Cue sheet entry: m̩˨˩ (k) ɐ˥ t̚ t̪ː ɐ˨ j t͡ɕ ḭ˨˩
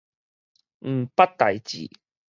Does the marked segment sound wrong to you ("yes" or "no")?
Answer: yes